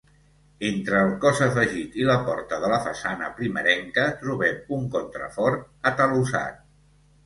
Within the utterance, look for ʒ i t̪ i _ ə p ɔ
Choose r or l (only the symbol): l